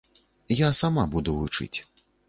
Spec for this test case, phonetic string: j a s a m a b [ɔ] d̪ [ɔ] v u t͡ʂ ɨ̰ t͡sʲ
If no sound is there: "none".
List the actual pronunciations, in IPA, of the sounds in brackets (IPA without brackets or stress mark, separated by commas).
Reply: u, u